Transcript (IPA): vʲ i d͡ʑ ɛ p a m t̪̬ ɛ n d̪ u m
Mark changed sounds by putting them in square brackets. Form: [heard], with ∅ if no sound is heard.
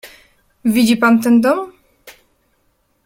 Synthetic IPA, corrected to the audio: vʲ i d͡ʑ [i] p a [n] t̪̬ ɛ n d̪ [ɔ] m